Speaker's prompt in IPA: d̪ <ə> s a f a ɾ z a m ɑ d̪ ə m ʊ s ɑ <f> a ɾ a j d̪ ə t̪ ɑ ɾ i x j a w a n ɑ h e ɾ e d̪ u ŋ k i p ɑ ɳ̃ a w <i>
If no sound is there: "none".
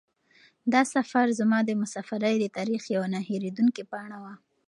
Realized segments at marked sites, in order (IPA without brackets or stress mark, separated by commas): ɑ, f, a